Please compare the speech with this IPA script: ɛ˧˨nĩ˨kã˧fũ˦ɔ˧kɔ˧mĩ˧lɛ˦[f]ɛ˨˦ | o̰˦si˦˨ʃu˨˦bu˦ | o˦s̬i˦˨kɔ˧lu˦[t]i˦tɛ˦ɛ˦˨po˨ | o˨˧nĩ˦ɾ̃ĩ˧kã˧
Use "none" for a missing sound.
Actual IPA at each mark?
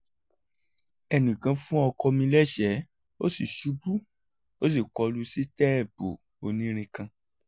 ʃ, s

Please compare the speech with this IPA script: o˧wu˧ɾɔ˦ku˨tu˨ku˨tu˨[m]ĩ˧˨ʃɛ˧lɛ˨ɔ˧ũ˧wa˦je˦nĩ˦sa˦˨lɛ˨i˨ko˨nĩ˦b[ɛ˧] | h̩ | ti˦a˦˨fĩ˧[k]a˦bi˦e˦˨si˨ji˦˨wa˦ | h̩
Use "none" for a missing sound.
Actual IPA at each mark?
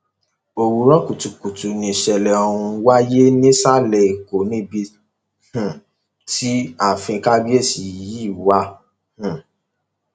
n, i˧, k

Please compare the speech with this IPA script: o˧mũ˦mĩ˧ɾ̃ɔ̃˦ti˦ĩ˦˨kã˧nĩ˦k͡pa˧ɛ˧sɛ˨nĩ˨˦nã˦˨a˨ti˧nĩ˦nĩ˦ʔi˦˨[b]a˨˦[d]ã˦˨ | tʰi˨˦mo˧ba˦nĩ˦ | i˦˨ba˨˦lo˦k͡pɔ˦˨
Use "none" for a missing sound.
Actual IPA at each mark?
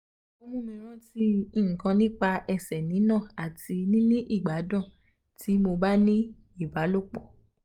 ɡ͡b, d

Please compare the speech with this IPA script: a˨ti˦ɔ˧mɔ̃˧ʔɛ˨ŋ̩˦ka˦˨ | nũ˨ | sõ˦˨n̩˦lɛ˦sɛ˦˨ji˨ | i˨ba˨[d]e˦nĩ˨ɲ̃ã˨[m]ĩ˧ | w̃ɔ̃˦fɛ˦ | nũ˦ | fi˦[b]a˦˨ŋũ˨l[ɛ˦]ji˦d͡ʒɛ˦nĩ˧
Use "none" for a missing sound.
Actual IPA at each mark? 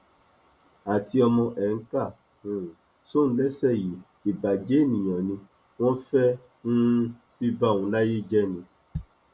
d͡ʒ, n, b, a˦

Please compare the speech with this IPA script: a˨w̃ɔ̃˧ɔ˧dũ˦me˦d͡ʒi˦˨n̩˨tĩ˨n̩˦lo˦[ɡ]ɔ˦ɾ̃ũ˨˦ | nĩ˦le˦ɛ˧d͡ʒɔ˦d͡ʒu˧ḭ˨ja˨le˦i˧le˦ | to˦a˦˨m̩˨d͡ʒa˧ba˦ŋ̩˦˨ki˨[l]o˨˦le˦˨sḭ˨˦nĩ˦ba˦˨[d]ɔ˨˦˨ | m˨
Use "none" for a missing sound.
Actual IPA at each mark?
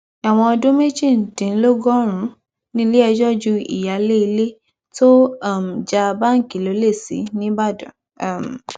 ɡ, l, d

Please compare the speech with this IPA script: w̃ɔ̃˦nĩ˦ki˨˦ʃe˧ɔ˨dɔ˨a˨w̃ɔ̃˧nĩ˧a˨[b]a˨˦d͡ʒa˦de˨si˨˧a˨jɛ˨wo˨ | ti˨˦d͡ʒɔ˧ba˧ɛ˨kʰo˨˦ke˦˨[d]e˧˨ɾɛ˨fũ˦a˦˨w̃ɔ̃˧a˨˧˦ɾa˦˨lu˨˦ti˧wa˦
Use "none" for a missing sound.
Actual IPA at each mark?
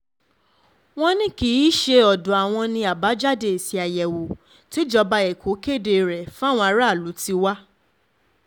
b, d

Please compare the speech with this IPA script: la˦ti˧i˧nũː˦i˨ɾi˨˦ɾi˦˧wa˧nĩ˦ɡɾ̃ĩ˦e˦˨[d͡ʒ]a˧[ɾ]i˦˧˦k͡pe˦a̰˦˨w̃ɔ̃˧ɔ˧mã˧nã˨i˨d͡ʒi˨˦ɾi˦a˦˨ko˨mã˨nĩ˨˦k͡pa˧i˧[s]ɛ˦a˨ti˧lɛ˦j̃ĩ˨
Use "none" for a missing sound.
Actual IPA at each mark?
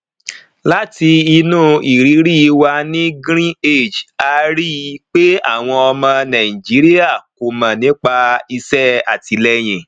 d͡ʒ, ɾ, s

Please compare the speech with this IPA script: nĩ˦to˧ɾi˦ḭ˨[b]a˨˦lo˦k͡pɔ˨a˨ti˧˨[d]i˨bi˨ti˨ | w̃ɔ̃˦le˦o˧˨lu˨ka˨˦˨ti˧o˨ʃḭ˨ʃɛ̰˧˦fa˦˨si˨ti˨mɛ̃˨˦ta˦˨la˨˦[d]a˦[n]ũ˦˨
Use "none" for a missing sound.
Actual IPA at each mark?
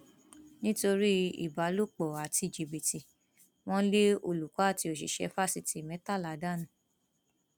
b, d͡ʒ, d, n

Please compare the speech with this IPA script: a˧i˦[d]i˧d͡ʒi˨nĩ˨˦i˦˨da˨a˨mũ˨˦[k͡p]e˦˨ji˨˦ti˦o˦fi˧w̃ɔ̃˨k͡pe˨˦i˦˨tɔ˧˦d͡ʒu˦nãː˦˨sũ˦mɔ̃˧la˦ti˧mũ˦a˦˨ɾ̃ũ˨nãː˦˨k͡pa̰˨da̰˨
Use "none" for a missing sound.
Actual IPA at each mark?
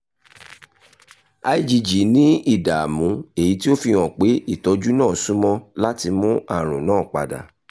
d͡ʒ, none

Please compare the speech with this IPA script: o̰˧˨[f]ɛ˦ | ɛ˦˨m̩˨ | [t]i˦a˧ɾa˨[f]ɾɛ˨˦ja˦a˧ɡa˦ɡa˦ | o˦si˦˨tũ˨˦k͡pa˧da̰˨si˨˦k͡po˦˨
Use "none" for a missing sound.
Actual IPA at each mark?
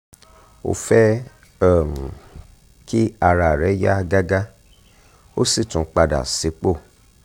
f, k, none

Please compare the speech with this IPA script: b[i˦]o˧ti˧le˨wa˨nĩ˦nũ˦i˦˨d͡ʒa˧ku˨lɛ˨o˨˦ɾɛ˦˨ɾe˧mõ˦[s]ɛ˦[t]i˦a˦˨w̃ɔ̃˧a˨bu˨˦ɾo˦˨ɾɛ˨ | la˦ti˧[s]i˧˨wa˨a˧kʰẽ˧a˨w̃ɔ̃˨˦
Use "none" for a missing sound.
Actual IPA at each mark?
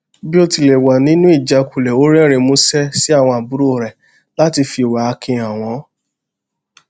i˦, s, s, f

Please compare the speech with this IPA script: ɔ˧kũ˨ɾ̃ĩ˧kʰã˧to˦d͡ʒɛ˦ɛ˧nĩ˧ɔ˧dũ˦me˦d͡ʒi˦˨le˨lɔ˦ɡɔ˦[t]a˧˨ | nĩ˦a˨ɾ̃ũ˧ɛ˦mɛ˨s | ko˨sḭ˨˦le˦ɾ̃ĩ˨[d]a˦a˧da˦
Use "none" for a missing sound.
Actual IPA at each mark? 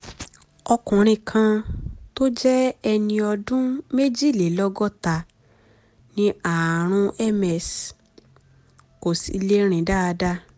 t, d

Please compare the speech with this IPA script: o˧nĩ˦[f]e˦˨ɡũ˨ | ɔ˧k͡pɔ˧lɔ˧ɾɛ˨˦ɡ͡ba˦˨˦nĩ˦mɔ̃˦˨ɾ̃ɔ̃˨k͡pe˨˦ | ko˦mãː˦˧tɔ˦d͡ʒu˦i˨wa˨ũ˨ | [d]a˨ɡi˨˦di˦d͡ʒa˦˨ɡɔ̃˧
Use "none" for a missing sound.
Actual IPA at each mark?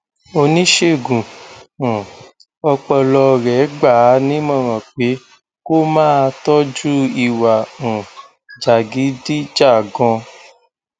ʃ, d͡ʒ

